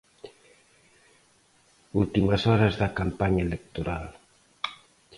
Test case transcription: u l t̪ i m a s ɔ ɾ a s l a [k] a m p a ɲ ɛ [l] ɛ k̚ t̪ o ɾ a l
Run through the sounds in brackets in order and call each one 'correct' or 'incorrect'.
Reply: correct, correct

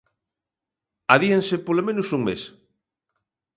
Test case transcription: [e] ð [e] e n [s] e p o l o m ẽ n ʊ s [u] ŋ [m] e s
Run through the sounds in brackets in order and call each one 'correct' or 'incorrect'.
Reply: incorrect, incorrect, correct, correct, correct

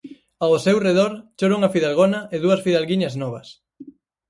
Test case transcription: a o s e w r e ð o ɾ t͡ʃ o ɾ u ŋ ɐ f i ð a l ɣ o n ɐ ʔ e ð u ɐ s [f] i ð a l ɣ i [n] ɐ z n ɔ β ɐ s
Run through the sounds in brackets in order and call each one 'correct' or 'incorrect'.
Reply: correct, incorrect

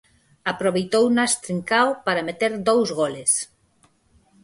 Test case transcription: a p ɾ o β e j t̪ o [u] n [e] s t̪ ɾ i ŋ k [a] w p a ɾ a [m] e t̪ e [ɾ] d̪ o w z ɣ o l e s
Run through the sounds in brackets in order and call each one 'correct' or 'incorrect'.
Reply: incorrect, incorrect, correct, correct, correct

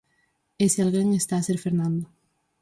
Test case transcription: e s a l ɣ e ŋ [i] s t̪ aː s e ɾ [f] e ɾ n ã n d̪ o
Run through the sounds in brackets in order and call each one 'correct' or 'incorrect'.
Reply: incorrect, correct

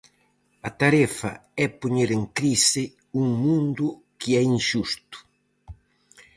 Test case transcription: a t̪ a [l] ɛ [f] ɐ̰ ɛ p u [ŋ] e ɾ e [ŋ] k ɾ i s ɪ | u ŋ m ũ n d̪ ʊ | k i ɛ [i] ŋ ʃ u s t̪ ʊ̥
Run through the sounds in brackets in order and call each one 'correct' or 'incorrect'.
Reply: incorrect, correct, incorrect, correct, correct

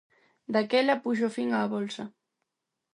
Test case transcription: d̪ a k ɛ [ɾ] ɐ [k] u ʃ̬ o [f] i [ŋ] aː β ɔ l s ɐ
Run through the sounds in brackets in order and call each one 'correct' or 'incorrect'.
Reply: incorrect, incorrect, correct, correct

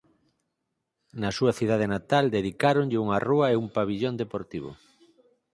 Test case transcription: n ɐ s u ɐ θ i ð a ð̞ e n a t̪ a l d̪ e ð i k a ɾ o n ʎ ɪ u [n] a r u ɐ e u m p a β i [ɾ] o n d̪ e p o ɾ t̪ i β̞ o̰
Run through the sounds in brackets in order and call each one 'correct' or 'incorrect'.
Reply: incorrect, incorrect

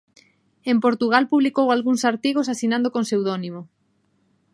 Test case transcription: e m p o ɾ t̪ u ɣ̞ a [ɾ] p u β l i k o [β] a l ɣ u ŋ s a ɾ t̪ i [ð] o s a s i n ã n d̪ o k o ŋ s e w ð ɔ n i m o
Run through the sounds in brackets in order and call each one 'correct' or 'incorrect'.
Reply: incorrect, incorrect, incorrect

